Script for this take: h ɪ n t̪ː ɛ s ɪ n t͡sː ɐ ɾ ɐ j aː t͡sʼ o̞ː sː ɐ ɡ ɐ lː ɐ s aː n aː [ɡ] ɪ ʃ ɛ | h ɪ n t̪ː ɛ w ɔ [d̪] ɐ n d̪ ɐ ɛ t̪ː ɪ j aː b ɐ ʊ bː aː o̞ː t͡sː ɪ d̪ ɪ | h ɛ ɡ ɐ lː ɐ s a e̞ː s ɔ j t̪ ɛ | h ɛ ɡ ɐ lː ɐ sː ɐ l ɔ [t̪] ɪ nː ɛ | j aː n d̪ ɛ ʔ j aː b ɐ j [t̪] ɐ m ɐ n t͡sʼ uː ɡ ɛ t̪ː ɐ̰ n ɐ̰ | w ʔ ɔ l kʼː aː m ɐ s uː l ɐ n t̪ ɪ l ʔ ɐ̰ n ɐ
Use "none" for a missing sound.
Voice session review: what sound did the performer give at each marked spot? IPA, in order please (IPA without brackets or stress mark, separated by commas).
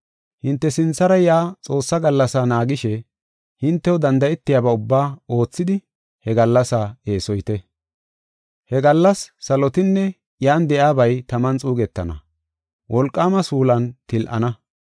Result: ɡ, d̪, t̪, t̪